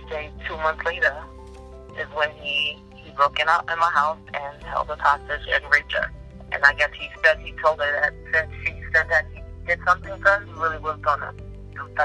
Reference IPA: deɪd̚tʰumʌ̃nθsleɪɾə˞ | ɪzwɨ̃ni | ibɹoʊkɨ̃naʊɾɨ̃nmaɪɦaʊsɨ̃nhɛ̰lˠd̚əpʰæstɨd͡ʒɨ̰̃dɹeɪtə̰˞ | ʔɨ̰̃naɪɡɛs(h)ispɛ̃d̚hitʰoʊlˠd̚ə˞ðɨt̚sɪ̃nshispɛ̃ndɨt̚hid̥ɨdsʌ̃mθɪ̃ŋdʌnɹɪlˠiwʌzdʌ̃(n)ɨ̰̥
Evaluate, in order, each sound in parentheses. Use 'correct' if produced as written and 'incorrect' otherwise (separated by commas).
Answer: correct, correct